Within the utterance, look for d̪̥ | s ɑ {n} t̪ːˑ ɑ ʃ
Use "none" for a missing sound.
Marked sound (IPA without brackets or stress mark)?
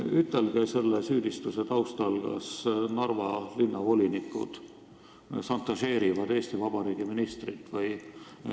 n